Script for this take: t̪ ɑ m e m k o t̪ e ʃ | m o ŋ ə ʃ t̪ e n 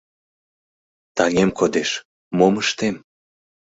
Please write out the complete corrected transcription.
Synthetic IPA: t̪ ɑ ŋ e m k o d̪ e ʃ | m o m ə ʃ t̪ e m